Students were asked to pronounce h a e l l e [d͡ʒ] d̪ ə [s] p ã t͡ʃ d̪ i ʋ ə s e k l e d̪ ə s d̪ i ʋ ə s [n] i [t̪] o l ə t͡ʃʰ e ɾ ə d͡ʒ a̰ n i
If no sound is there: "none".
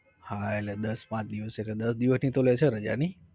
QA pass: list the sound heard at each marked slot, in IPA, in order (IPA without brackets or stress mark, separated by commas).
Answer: none, s, n, t̪